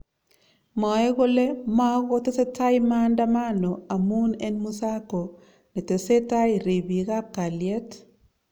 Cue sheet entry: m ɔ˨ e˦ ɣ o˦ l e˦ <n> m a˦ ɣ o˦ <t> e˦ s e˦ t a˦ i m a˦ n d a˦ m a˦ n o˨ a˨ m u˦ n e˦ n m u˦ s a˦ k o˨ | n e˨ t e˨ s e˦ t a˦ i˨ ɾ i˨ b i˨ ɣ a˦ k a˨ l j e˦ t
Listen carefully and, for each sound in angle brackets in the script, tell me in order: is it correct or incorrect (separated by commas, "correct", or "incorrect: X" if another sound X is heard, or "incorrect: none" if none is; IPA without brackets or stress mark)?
incorrect: none, correct